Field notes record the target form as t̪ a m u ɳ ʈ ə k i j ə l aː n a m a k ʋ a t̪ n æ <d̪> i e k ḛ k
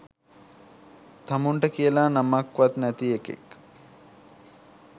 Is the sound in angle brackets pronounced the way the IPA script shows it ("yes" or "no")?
no